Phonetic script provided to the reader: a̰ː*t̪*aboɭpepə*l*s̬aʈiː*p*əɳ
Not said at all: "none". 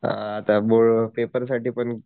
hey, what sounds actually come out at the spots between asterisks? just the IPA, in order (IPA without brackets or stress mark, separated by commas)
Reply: t̪, ɾ, p